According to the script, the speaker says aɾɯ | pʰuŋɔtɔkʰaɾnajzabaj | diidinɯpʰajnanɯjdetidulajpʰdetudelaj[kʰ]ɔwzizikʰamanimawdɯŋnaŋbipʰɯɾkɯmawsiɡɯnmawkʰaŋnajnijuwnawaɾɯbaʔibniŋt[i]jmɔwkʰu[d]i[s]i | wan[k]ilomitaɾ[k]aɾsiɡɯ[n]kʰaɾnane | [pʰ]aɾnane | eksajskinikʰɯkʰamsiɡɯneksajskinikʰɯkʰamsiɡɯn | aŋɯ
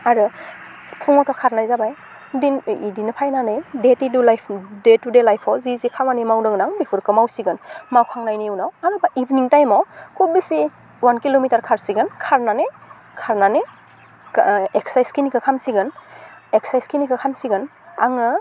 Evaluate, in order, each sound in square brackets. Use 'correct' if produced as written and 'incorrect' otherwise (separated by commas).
incorrect, incorrect, incorrect, correct, correct, incorrect, correct, incorrect